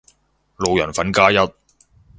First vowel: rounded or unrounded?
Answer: rounded